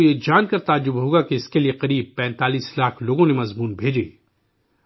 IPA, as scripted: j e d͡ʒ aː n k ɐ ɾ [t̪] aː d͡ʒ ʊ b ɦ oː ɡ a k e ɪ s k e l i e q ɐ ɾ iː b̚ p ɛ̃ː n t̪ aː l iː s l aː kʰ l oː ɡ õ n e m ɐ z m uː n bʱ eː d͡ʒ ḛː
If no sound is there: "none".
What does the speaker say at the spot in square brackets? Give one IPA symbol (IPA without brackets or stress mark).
t̪